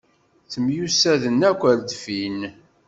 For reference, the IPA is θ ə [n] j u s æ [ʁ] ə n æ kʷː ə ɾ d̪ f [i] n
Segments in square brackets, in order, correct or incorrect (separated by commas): incorrect, incorrect, correct